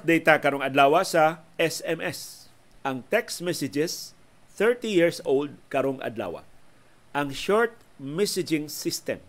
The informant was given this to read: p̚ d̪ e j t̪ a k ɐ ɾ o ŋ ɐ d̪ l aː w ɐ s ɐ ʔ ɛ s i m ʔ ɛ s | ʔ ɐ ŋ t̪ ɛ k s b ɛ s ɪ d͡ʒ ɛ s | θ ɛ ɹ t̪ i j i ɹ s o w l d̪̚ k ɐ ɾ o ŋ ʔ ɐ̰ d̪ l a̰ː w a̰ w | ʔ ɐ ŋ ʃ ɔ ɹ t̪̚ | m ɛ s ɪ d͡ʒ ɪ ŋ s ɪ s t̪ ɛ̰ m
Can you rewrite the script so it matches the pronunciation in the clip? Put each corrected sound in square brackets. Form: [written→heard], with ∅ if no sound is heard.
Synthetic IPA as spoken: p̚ d̪ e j t̪ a k ɐ ɾ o ŋ ɐ d̪ l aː w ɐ s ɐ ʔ ɛ s [i→ɛ] m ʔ ɛ s | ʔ ɐ ŋ t̪ ɛ k s [b→m] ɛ s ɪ d͡ʒ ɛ s | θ ɛ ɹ t̪ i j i ɹ s o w l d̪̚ k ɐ ɾ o ŋ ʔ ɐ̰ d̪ l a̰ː w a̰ [w→∅] | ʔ ɐ ŋ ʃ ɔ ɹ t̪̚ | m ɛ s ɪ d͡ʒ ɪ ŋ s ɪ s t̪ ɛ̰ m